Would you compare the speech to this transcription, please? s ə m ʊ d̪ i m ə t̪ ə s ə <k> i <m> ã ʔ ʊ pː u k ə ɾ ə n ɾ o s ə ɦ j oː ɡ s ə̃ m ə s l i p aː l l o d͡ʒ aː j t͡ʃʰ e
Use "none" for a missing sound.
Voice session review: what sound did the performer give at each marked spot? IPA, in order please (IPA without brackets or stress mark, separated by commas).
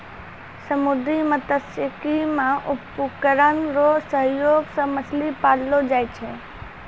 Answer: k, m